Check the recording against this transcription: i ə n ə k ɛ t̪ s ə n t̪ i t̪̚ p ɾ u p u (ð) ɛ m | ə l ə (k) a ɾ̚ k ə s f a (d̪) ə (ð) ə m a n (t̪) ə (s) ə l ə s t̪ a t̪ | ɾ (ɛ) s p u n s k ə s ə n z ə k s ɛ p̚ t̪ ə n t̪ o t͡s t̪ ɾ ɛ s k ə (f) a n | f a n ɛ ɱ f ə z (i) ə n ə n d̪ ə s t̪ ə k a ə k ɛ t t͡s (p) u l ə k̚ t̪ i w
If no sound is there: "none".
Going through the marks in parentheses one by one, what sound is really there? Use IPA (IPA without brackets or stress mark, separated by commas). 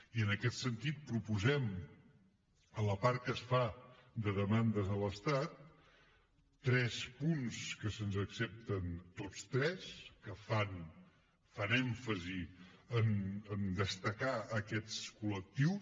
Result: z, p, d̪, ð, d̪, z, ɛ, f, i, k